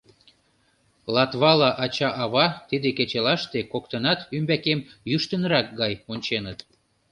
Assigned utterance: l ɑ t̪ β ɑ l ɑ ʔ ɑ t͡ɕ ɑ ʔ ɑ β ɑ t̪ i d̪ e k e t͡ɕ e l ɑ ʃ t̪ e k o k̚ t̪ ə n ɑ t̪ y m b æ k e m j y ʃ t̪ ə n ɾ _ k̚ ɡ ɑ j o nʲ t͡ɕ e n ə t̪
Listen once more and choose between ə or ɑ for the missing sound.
ɑ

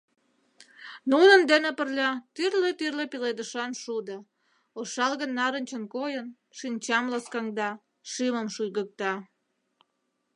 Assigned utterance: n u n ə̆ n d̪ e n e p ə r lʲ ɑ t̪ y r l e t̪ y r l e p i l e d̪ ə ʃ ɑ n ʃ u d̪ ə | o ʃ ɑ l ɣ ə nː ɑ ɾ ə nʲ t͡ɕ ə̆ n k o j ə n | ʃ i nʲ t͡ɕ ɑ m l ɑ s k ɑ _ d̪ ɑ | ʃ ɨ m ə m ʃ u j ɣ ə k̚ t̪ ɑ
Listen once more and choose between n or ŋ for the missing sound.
ŋ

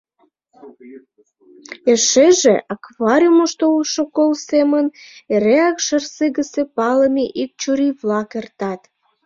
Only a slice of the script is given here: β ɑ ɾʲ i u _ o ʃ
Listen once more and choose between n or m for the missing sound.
m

